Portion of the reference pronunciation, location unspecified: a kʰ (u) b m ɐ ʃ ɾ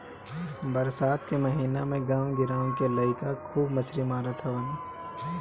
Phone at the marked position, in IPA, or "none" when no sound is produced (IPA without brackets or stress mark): uː